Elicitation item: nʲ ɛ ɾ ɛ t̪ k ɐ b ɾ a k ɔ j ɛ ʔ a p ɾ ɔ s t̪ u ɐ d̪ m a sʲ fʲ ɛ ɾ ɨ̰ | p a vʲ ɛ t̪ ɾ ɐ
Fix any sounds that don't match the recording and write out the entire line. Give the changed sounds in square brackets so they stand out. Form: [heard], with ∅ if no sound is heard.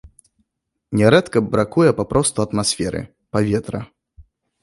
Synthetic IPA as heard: nʲ ɛ ɾ ɛ t̪ k ɐ b ɾ a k [u] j ɛ [p] a p ɾ ɔ s t̪ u ɐ [t̪] m a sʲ fʲ ɛ ɾ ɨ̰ | p a vʲ ɛ t̪ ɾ ɐ